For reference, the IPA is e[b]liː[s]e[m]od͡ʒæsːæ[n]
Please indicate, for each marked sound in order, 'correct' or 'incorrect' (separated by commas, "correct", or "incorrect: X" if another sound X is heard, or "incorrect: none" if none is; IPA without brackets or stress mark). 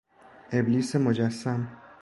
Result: correct, correct, correct, incorrect: m